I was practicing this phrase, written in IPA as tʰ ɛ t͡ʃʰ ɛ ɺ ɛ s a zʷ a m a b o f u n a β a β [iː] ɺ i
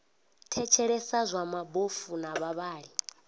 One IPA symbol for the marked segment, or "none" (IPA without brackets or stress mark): aː